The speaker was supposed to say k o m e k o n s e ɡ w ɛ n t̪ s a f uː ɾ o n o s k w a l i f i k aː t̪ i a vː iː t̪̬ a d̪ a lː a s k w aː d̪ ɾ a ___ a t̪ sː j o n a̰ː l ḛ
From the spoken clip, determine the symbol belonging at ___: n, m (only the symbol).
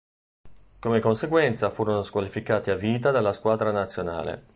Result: n